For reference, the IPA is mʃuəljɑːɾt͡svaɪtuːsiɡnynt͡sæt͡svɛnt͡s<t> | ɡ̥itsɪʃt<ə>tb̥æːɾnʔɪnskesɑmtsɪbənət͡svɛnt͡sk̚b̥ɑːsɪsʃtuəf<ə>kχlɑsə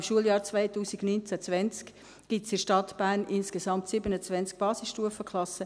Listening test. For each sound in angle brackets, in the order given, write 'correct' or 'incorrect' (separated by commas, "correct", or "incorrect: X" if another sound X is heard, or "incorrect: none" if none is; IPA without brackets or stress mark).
incorrect: k, incorrect: ɑ, correct